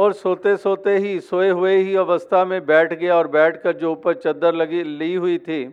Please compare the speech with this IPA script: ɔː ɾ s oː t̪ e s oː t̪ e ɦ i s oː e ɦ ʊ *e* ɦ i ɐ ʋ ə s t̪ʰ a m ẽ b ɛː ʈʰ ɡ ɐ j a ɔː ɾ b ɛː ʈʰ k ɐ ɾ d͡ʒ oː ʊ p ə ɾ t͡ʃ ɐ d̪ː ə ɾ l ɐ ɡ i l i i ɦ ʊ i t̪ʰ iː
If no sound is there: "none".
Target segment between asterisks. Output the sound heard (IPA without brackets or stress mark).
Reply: e